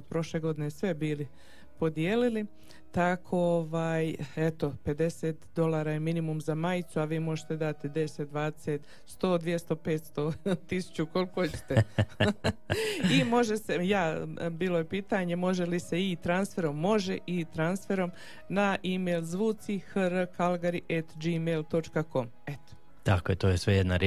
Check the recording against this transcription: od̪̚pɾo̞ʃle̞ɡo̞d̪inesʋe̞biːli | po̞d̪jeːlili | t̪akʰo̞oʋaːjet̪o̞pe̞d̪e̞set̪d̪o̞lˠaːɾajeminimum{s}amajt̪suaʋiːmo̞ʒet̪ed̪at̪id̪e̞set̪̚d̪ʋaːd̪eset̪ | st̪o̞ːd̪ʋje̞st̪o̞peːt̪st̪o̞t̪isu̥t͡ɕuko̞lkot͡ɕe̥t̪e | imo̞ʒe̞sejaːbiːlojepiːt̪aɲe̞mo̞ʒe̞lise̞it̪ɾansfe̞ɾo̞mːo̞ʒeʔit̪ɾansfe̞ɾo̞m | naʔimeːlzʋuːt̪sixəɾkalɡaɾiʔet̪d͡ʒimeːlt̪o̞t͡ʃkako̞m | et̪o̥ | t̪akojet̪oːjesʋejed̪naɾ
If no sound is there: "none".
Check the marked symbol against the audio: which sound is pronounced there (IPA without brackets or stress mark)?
z